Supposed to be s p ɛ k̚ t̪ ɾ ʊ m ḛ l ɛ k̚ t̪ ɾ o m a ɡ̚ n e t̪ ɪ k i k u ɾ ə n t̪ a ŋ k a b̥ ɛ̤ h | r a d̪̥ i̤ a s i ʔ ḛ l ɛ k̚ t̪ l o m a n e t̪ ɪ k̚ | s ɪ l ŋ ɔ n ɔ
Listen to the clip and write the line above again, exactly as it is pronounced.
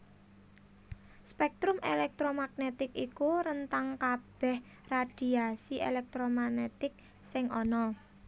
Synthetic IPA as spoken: s p ɛ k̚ t̪ ɾ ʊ m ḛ l ɛ k̚ t̪ ɾ o m a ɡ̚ n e t̪ ɪ k i k u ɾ ə n t̪ a ŋ k a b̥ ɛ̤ h | r a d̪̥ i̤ a s i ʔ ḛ l ɛ k̚ t̪ ɾ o m a n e t̪ ɪ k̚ | s ɪ ŋ ɔ n ɔ